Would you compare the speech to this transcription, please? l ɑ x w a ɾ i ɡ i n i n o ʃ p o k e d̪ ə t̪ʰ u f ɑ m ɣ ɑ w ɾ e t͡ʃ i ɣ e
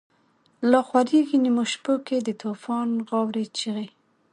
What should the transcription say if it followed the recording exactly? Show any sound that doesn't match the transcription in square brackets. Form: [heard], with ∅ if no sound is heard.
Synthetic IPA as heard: l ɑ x w a ɾ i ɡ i n i [m] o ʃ p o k e d̪ ə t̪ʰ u f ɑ [n] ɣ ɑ w ɾ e t͡ʃ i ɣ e